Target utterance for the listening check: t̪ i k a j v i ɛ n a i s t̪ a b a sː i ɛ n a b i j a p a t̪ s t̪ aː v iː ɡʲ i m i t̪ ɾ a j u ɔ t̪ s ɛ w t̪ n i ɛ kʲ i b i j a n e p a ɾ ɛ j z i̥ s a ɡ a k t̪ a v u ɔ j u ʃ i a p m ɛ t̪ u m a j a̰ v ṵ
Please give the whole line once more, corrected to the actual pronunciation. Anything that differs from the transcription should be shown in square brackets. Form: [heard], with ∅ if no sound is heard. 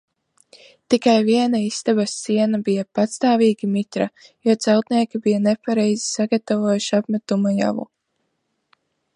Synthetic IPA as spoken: t̪ i k a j v i ɛ n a i s t̪ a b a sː i ɛ n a b i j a p a t̪ s t̪ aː v iː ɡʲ i m i t̪ ɾ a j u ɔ t̪ s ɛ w t̪ n i ɛ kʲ i b i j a n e p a ɾ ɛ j z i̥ s a ɡ a [∅] t̪ a v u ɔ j u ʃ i a p m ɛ t̪ u m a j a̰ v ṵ